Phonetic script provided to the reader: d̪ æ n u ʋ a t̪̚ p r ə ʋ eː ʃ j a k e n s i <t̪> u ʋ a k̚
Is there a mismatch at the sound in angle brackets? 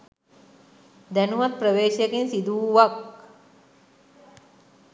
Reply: yes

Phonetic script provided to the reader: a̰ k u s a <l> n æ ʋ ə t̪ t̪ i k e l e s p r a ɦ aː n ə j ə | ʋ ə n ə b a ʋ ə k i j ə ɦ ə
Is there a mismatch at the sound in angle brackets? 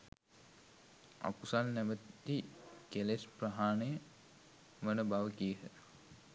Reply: no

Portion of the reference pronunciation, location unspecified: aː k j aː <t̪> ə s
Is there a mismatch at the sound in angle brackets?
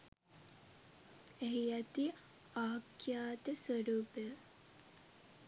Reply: no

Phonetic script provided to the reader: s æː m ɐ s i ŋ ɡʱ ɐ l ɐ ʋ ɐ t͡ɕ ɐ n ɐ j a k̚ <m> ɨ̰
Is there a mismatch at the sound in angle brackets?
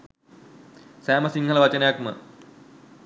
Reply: no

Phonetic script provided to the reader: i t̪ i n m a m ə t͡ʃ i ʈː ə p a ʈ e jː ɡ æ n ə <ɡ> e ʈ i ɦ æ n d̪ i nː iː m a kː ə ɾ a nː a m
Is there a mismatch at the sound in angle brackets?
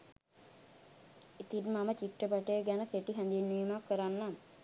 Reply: yes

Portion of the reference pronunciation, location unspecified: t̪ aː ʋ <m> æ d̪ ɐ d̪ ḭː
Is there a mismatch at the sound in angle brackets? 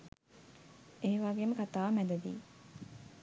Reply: no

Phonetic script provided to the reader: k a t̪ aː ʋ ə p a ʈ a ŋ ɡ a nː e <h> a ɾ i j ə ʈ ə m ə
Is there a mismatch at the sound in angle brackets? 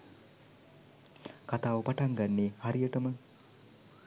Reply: no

